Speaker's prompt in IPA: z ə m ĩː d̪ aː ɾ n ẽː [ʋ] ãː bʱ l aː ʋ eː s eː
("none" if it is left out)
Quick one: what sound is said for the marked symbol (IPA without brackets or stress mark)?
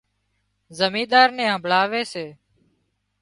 none